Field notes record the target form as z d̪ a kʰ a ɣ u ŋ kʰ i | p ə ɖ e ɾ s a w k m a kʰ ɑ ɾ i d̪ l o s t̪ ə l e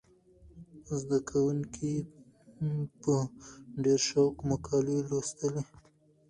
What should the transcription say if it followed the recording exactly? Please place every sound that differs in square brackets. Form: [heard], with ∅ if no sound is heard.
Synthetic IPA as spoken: z d̪ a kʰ a [w] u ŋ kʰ i | p ə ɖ e ɾ [ʃ] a w k m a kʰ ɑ [l] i [∅] l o s t̪ ə l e